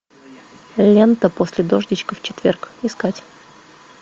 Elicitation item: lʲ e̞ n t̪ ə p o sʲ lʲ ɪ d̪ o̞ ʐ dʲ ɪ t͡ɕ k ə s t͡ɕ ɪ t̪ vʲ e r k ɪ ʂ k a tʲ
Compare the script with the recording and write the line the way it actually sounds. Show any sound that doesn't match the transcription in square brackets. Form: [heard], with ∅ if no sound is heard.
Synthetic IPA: lʲ e̞ n t̪ ə p o sʲ lʲ ɪ d̪ o̞ ʐ dʲ ɪ t͡ɕ k ə [f] t͡ɕ ɪ t̪ vʲ e r k ɪ [s] k a tʲ